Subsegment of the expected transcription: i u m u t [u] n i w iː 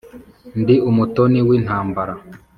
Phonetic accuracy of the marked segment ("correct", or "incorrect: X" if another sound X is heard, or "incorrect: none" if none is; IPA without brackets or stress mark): incorrect: o